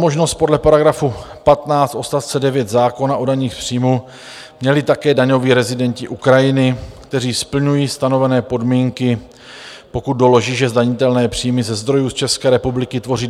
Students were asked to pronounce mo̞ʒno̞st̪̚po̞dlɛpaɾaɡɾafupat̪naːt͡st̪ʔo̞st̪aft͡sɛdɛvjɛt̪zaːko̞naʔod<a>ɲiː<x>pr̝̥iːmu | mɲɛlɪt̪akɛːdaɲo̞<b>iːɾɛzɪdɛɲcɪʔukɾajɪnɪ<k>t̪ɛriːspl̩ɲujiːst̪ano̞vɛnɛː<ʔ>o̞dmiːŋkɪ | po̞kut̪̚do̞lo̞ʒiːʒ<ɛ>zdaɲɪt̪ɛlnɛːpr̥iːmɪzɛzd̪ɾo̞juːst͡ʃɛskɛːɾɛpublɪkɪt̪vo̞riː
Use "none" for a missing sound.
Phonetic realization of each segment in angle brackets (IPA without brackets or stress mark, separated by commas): a, x, v, k, p, ɛ